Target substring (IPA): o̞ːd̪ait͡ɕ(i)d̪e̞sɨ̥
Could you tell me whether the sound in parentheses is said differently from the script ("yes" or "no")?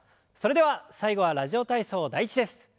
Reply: no